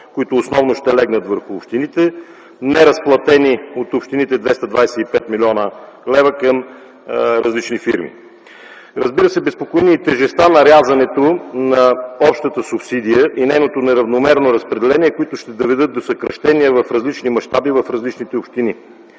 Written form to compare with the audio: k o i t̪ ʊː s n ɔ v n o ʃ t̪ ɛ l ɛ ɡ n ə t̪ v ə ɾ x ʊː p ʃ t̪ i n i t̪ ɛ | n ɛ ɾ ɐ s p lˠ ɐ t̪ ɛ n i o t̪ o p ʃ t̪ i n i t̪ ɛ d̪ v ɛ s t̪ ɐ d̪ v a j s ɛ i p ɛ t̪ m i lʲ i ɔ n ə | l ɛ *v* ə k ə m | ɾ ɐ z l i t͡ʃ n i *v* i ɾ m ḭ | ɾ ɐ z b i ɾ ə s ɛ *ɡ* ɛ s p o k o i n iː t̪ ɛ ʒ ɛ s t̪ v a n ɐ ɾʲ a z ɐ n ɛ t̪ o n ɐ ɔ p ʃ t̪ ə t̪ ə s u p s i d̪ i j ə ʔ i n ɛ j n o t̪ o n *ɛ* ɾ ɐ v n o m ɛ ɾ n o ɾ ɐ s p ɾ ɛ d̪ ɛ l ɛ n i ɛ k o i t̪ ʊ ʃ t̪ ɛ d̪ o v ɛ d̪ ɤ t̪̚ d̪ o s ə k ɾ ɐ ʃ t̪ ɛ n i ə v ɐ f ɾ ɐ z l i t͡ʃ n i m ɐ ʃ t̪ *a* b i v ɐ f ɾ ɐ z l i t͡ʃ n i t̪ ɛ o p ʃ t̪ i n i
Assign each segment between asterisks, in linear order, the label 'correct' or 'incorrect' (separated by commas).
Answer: correct, incorrect, incorrect, correct, correct